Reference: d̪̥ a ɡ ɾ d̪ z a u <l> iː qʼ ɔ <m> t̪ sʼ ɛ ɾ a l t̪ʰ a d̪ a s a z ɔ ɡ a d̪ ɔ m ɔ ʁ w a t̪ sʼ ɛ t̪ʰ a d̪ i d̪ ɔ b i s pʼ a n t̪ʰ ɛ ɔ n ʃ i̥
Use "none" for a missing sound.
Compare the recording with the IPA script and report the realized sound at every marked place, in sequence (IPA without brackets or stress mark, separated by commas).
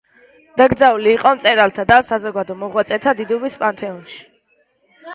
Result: l, m